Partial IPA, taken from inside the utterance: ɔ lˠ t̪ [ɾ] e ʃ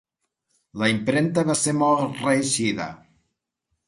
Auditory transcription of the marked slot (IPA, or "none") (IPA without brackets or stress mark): r